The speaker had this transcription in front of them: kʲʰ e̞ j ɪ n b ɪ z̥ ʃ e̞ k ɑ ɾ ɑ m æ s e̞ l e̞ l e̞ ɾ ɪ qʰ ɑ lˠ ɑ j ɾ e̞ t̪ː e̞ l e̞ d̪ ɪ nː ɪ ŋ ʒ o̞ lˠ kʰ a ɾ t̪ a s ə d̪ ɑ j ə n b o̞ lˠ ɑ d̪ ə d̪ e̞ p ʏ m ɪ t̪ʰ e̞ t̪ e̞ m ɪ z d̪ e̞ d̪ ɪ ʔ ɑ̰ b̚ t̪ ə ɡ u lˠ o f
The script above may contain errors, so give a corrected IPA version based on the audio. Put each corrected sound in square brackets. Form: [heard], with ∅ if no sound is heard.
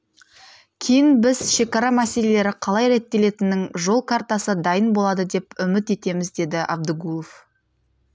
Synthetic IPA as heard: kʲʰ e̞ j ɪ n b ɪ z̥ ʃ e̞ k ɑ ɾ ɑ m æ s e̞ l e̞ l e̞ ɾ ɪ qʰ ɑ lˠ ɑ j ɾ e̞ t̪ː e̞ l e̞ [t̪] ɪ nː ɪ ŋ ʒ o̞ lˠ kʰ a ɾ t̪ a s ə d̪ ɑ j ə n b o̞ lˠ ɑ d̪ ə d̪ e̞ p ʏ m ɪ [t̪] e̞ t̪ e̞ m ɪ z d̪ e̞ d̪ ɪ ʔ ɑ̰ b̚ [d̪] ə ɡ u lˠ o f